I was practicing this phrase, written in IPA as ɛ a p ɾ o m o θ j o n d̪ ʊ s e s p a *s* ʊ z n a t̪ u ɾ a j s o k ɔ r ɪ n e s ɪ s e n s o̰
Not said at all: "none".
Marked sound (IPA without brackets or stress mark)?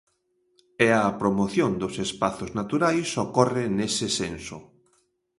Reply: θ